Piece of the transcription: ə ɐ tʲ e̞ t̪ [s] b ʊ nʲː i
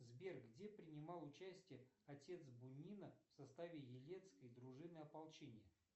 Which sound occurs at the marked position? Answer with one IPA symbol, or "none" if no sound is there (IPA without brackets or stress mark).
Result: s